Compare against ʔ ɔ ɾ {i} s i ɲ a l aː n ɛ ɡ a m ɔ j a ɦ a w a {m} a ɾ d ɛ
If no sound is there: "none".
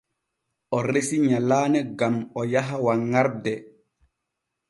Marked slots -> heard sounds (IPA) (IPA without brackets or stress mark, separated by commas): e, ŋ